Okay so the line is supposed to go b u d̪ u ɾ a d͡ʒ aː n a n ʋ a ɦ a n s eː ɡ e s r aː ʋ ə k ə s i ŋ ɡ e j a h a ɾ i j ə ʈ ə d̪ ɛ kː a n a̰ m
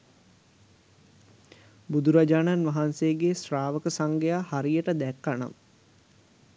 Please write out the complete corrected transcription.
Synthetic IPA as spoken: b u d̪ u ɾ a d͡ʒ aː n a n ʋ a ɦ a n s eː ɡ e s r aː ʋ ə k ə s a ŋ ɡ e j a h a ɾ i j ə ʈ ə d̪ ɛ kː a n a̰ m